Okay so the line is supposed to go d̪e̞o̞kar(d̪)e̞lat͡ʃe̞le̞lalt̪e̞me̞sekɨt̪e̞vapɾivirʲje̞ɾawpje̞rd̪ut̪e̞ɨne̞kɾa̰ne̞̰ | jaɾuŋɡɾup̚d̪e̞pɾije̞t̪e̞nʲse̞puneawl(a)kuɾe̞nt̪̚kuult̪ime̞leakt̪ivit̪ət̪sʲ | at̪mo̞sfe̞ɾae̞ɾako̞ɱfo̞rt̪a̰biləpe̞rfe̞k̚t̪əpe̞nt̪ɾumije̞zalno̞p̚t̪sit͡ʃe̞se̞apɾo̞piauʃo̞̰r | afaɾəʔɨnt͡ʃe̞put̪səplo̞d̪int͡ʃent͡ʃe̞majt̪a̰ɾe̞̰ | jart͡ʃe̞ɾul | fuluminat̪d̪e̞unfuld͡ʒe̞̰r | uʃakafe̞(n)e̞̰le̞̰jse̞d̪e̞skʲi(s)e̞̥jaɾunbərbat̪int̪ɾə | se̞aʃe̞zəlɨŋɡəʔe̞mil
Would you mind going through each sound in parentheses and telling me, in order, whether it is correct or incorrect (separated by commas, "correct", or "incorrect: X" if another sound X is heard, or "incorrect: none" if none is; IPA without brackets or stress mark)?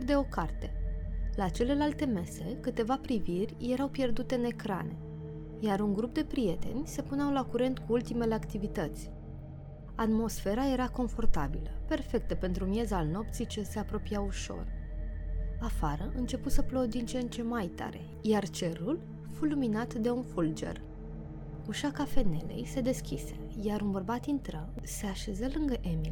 incorrect: t̪, correct, correct, correct